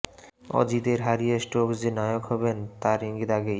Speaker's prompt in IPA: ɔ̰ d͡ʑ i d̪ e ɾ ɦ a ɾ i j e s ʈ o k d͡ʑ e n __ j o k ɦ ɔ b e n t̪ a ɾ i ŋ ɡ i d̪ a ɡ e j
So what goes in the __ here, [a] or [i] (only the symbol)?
a